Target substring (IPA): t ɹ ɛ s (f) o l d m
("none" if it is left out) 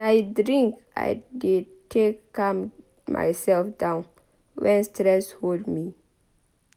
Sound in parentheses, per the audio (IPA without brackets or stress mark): h